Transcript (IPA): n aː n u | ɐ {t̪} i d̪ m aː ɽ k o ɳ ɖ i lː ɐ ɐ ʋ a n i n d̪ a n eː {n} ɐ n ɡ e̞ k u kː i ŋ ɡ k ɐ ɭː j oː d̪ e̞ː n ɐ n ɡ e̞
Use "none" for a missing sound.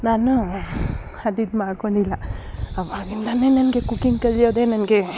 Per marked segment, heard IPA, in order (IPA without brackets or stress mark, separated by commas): d̪, n